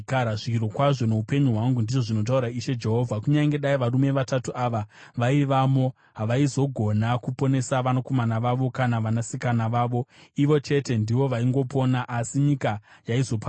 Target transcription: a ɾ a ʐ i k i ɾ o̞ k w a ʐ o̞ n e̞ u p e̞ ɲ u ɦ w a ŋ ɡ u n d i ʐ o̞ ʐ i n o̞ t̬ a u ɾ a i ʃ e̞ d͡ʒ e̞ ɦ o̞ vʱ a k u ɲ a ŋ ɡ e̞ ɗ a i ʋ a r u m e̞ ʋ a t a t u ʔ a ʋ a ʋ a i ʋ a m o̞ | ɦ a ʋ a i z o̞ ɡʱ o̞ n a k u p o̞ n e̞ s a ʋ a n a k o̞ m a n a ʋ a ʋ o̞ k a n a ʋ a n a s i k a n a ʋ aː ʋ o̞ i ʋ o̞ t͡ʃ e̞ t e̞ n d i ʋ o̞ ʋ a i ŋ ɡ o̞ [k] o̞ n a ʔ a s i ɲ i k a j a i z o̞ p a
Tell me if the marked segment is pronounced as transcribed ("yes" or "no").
no